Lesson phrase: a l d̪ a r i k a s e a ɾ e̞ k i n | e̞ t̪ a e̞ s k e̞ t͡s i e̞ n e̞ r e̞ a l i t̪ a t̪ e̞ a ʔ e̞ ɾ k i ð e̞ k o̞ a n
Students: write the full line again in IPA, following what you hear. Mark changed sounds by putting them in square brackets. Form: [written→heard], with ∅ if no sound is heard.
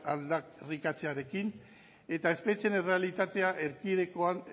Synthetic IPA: a l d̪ a r i k a [s→t͡s] e a ɾ e̞ k i n | e̞ t̪ a e̞ s [k→p] e̞ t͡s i e̞ n e̞ r e̞ a l i t̪ a t̪ e̞ a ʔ e̞ ɾ k i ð e̞ k o̞ a n